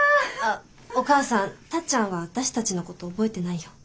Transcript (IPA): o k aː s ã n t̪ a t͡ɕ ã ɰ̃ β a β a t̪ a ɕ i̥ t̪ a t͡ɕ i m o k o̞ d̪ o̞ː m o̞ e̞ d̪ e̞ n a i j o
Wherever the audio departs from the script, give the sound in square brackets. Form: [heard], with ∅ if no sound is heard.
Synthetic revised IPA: o k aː s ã n t̪ a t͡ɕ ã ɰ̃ β a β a t̪ a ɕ i̥ t̪ a t͡ɕ i [n] o k o̞ [t̪] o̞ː [b] o̞ e̞ [t̪] e̞ n a i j o